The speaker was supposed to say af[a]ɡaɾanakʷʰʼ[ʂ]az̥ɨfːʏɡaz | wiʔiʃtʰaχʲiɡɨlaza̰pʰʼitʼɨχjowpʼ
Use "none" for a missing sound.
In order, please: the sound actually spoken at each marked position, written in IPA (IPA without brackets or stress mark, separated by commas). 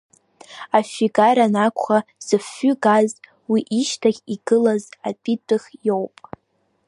i, χ